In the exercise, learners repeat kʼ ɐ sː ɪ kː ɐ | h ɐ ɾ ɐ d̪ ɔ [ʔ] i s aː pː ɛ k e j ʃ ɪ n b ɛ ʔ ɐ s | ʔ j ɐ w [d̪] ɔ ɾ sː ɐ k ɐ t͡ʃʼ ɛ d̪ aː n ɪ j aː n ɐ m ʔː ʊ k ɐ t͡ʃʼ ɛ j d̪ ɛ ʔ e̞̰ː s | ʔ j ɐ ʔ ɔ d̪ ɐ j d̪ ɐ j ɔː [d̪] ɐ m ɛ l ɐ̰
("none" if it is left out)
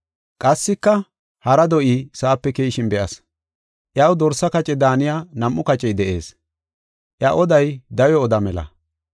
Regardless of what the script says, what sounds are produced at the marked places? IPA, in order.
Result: ʔ, d̪, d̪

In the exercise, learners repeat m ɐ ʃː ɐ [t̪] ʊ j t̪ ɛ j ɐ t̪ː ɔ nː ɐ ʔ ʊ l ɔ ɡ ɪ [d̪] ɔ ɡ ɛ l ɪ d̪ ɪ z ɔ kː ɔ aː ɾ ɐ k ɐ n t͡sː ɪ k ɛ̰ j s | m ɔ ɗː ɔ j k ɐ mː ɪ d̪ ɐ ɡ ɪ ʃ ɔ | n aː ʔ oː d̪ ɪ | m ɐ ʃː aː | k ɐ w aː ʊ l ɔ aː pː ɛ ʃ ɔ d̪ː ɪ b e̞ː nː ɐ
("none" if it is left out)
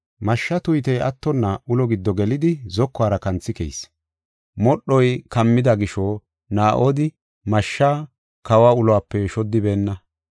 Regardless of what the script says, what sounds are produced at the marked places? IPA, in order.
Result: t̪, d̪ː

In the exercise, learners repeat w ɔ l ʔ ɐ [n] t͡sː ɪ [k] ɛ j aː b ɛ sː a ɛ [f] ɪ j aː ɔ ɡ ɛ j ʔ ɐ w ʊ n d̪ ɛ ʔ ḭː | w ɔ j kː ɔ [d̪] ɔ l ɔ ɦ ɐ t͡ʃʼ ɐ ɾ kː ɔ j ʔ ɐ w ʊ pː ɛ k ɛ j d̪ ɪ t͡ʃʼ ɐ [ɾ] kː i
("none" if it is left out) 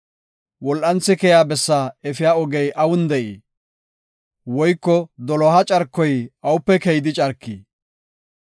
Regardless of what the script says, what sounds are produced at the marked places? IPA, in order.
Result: n, k, f, d̪, ɾ

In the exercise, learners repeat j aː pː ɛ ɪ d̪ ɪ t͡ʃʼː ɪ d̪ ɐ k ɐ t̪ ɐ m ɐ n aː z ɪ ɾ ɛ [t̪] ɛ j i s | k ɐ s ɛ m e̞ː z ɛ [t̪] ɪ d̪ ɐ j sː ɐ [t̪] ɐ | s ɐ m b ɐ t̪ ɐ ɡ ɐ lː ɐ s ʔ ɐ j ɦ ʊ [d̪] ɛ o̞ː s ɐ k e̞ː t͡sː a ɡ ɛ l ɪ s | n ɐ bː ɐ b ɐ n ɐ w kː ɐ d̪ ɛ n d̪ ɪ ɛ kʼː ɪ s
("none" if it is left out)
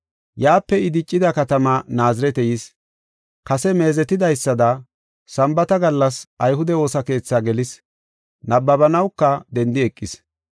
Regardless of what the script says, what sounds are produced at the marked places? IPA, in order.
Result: t̪, t̪, d̪, d̪

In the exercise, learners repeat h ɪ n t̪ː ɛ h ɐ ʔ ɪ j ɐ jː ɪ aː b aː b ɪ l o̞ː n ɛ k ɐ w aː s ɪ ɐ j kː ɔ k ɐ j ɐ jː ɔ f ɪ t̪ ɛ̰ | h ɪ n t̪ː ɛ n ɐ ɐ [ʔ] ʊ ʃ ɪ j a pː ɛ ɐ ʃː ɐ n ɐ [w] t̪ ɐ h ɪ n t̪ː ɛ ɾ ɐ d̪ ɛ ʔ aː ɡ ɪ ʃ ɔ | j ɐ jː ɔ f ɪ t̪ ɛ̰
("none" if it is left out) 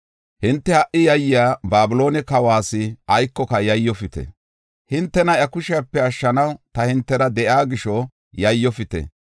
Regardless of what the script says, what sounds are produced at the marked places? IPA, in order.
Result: k, w

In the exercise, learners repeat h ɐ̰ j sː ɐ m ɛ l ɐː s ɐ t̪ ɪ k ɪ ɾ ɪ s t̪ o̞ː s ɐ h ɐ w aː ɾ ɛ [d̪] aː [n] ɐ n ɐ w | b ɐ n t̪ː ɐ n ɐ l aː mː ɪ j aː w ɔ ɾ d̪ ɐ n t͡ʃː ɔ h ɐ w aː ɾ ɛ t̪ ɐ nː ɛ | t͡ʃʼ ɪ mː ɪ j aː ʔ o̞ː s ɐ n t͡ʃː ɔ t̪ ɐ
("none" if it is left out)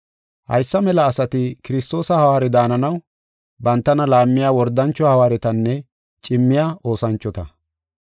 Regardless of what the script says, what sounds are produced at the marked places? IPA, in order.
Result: d̪, n

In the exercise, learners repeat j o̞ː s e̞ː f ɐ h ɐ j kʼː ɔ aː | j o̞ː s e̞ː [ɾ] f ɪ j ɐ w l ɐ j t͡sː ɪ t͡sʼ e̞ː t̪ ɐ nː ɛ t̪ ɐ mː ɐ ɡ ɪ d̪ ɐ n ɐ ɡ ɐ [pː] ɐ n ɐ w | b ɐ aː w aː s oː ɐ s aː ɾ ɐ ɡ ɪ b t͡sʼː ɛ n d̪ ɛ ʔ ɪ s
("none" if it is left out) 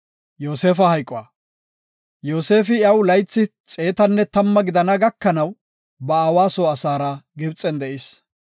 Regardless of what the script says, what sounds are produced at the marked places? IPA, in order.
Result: none, kː

